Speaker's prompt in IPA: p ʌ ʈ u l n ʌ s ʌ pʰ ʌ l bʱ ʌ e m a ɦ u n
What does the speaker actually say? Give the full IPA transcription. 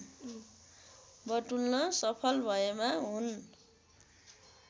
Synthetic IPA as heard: b ʌ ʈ u l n ʌ s ʌ pʰ ʌ l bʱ ʌ e m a ɦ u n